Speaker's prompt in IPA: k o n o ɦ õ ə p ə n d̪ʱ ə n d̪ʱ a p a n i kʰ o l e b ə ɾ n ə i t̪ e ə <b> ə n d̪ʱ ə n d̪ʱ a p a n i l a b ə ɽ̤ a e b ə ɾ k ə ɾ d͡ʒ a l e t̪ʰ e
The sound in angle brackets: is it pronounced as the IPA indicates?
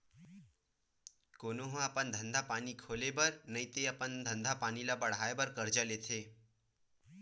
no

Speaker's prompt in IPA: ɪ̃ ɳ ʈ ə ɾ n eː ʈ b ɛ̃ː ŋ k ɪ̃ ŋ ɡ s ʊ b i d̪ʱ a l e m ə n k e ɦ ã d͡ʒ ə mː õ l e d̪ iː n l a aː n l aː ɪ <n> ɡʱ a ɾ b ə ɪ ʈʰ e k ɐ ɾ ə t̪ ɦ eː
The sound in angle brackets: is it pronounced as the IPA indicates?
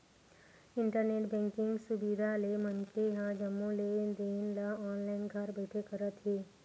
yes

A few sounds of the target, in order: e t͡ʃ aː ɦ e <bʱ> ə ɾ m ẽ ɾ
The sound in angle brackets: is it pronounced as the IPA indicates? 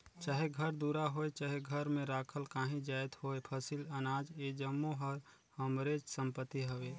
no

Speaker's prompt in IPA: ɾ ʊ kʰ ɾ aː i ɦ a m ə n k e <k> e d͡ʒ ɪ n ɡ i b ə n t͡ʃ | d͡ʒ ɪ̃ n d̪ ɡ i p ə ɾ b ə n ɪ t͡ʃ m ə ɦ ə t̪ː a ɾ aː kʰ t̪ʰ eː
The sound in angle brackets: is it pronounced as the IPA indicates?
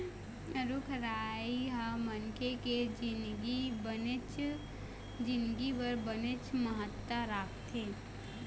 yes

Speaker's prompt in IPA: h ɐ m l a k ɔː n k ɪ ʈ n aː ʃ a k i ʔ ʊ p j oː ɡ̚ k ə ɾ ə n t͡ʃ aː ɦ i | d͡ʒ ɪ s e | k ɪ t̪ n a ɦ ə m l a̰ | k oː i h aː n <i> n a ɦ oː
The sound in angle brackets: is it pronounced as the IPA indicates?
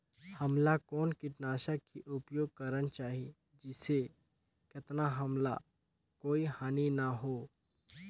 yes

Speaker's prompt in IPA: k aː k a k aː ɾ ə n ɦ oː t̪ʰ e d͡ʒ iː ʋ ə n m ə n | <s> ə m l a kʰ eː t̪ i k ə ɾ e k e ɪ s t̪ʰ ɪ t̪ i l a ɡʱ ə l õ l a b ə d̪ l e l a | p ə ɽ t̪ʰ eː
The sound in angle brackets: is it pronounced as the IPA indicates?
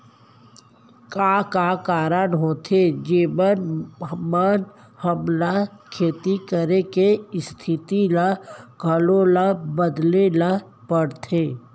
no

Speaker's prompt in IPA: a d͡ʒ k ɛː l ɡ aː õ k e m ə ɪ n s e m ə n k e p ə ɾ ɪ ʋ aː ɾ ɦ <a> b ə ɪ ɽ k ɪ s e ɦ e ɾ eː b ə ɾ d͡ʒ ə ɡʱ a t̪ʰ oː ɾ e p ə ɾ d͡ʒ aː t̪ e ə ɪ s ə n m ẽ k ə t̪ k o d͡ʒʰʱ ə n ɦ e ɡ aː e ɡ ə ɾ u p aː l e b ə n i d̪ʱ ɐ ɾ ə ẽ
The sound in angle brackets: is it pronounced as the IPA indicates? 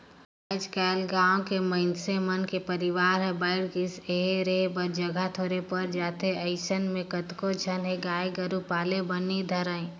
no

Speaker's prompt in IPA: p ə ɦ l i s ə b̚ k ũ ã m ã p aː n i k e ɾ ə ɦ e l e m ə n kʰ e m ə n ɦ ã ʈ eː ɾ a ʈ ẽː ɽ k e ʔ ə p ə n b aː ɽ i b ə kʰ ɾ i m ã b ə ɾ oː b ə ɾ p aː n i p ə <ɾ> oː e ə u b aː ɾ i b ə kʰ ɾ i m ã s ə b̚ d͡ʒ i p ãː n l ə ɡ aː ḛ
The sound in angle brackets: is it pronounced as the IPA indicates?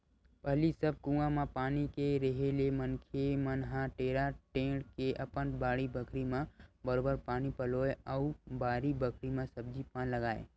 no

